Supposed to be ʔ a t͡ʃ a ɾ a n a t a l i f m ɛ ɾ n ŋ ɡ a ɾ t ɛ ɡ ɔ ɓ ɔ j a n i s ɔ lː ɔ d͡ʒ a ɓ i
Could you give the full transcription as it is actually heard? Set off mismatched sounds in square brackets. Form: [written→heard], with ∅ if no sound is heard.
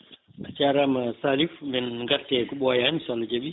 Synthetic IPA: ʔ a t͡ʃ a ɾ a [n→m] a [t→s] a l i f m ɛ [ɾ→∅] n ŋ ɡ a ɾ t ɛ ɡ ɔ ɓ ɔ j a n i s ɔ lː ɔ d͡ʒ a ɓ i